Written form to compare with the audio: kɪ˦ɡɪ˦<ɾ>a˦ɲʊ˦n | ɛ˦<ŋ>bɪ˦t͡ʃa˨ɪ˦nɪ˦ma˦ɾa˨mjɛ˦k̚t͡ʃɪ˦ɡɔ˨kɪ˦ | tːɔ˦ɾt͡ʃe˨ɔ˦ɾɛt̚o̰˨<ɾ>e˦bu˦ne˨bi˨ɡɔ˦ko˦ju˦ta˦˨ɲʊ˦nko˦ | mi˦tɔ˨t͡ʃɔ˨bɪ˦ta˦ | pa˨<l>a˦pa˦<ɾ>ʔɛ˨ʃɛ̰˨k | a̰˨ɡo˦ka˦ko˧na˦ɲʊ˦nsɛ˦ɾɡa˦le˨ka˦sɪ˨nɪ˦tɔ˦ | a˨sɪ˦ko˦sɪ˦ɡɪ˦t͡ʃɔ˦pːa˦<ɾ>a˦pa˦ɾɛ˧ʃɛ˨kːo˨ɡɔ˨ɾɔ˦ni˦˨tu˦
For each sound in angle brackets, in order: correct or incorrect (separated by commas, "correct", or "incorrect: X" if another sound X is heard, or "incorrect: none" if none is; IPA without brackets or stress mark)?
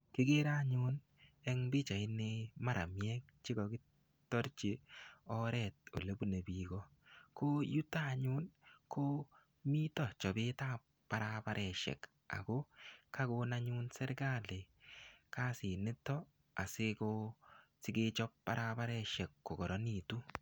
correct, correct, incorrect: l, incorrect: ɾ, correct, correct